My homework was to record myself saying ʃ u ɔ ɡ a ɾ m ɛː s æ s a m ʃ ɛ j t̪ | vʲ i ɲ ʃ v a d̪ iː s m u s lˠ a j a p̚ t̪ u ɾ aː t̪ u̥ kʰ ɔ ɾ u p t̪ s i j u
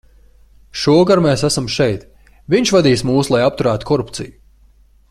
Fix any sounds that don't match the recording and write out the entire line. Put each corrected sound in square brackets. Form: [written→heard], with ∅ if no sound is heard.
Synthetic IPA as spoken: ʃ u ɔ ɡ a ɾ m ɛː s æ s a m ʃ ɛ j t̪ | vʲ i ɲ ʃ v a d̪ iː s m [u→uː] s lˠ a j a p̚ t̪ u ɾ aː t̪ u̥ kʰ ɔ ɾ u p t̪ s i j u

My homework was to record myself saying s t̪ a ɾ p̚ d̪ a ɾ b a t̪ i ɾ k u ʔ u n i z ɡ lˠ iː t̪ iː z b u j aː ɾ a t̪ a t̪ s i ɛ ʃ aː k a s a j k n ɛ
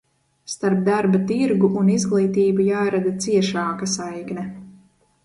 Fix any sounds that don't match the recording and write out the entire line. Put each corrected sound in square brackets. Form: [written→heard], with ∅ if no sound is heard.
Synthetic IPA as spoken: s t̪ a ɾ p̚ d̪ a ɾ b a t̪ i ɾ [k→ɡ] u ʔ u n i z ɡ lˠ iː t̪ iː [z→∅] b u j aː ɾ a [t̪→d̪] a t̪ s i ɛ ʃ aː k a s a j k n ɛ

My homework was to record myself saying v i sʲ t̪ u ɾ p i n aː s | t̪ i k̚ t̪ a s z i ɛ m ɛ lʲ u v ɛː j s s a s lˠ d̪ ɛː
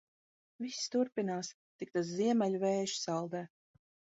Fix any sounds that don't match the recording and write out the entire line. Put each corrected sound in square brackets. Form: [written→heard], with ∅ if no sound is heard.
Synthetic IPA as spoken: v i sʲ t̪ u ɾ p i n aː s | t̪ i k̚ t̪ a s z i ɛ m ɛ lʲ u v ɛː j [s→ʃ] s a [s→∅] lˠ d̪ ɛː

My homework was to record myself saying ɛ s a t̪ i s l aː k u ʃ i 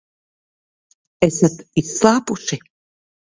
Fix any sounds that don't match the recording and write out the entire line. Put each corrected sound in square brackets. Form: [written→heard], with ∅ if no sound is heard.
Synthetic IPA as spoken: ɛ s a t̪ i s l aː [k→p] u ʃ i

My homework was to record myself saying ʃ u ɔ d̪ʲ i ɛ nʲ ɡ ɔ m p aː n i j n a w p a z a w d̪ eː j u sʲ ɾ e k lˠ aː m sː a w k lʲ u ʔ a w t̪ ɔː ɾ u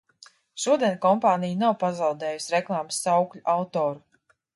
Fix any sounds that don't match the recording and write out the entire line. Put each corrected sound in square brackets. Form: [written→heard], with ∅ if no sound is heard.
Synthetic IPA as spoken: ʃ u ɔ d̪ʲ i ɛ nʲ [ɡ→k] ɔ m p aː n i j n a w p a z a w d̪ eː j u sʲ ɾ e k lˠ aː m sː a w k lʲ u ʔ a w t̪ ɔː ɾ u

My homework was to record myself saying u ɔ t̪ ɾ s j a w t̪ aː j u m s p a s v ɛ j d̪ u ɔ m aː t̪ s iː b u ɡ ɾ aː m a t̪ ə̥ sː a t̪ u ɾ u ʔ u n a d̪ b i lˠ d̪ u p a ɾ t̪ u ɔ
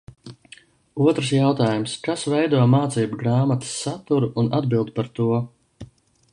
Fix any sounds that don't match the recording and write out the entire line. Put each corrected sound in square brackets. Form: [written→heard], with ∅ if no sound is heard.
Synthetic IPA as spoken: u ɔ t̪ ɾ s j a w t̪ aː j u m s [p→k] a s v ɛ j d̪ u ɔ m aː t̪ s iː b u ɡ ɾ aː m a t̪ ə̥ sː a t̪ u ɾ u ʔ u n a d̪ b i lˠ d̪ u p a ɾ t̪ u ɔ

